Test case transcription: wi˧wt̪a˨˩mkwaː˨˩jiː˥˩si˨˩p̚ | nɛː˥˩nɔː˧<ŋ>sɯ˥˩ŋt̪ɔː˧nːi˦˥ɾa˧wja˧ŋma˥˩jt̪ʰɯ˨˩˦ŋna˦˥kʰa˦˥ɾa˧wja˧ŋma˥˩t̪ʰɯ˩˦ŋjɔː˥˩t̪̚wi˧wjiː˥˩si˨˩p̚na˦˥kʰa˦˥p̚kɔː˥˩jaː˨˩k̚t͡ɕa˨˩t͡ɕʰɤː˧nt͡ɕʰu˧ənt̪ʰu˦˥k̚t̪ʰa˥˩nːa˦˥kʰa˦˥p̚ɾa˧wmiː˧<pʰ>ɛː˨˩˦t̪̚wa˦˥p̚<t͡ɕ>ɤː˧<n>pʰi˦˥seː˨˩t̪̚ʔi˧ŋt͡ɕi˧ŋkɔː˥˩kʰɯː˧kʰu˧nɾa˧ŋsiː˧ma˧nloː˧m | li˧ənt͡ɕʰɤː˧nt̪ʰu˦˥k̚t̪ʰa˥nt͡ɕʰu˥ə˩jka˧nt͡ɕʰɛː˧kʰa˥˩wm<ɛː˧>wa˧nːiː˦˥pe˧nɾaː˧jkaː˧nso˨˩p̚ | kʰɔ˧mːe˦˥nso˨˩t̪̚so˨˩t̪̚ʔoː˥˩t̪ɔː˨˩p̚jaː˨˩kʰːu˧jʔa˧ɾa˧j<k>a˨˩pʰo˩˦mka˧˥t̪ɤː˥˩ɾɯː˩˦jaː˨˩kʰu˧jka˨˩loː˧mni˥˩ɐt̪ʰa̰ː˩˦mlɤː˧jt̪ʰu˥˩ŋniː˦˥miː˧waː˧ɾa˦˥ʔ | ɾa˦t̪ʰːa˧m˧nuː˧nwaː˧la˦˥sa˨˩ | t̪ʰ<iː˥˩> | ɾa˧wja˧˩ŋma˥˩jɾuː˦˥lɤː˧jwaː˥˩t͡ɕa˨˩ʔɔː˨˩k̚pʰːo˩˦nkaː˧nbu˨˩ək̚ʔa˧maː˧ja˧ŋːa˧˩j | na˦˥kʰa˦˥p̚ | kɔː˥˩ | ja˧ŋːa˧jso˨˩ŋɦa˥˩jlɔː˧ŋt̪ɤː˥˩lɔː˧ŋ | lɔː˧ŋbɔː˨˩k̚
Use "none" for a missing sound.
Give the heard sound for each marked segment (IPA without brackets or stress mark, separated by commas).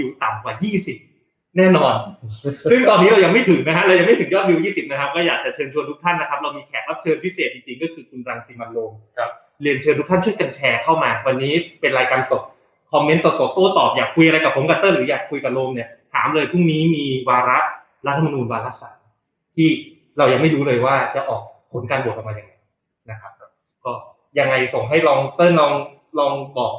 n, kʰ, t͡ɕʰ, n, aː˧, k, iː˥˩